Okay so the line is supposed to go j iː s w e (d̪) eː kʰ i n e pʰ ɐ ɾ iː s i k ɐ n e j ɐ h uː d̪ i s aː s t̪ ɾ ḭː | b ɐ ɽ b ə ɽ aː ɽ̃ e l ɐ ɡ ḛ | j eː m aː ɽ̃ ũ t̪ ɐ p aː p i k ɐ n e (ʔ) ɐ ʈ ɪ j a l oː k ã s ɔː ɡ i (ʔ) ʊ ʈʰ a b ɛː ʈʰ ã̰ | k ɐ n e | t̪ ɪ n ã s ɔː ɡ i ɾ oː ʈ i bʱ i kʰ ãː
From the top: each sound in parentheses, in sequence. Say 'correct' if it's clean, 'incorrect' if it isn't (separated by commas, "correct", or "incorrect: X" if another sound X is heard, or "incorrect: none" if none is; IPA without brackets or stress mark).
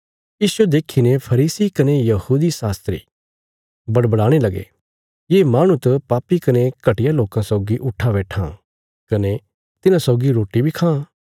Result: correct, incorrect: k, correct